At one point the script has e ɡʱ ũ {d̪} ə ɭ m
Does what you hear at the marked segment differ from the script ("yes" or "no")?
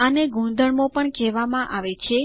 no